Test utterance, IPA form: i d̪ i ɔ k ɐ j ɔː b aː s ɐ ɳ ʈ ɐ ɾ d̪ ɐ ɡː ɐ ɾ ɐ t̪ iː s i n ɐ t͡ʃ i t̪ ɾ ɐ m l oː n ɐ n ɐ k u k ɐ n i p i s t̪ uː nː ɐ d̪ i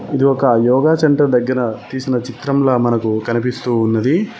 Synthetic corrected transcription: i d̪ i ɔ k ɐ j ɔː ɡ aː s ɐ ɳ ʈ ɐ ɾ d̪ ɐ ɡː ɐ ɾ ɐ t̪ iː s i n ɐ t͡ʃ i t̪ ɾ ɐ m l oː m ɐ n ɐ k u k ɐ n i p i s t̪ uː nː ɐ d̪ i